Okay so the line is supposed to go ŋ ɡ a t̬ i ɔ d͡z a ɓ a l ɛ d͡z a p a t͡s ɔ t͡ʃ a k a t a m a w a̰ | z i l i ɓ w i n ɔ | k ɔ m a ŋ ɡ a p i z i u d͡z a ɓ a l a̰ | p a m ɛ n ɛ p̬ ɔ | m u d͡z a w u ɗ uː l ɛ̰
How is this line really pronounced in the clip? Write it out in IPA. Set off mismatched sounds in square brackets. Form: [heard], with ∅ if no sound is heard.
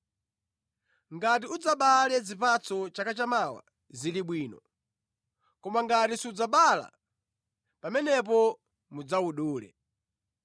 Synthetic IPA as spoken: ŋ ɡ a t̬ i [u] d͡z a ɓ a l ɛ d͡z [i] p a t͡s ɔ t͡ʃ a k a [t͡ʃ] a m a w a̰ | z i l i ɓ w [iː] n ɔ | k ɔ m a ŋ ɡ a [t] i [s] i u d͡z a ɓ a l a̰ | p a m ɛ n ɛ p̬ ɔ | m u d͡z a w u ɗ uː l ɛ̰